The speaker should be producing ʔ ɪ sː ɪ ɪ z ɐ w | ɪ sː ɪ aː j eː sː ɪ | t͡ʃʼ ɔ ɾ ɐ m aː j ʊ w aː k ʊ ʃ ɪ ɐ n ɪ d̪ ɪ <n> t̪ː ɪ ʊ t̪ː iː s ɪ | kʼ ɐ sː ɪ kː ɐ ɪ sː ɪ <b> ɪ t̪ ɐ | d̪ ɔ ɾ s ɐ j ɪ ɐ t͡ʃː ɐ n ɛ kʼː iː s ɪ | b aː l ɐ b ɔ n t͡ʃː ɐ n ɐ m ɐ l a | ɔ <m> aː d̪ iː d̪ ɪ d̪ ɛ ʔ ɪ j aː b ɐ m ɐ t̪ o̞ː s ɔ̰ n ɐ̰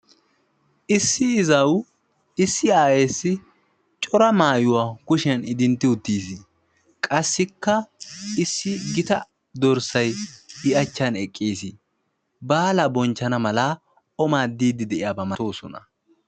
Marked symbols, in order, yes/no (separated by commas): yes, no, yes